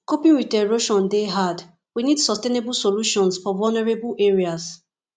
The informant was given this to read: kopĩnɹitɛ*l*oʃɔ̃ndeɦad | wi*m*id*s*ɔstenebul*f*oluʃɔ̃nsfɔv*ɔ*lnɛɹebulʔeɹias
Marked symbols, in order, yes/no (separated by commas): no, no, yes, no, yes